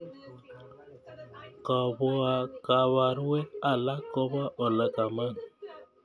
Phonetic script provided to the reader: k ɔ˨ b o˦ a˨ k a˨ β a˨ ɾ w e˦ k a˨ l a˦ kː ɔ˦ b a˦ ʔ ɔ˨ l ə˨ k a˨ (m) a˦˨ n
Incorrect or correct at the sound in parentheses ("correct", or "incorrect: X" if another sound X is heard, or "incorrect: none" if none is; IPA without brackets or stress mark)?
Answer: correct